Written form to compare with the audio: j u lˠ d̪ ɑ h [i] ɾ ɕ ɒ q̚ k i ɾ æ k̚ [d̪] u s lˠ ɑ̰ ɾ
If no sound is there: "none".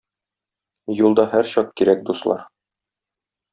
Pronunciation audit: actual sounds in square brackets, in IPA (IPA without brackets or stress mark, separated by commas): æ, d̪